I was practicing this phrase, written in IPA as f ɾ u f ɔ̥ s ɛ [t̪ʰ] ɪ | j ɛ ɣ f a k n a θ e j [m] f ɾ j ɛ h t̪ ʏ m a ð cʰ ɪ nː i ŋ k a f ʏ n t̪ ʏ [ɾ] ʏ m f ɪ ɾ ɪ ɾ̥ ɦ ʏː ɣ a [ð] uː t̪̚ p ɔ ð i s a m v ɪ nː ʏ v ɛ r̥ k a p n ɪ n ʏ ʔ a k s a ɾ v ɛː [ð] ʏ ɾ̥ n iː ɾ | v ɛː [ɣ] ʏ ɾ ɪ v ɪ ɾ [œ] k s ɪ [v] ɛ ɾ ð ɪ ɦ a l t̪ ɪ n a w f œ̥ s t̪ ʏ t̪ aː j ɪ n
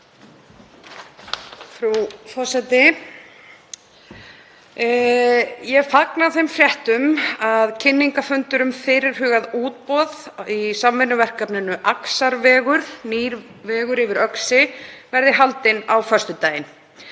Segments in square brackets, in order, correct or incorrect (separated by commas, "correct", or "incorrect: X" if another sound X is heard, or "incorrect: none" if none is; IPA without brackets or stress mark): incorrect: t̪, correct, correct, correct, incorrect: ɣ, correct, correct, correct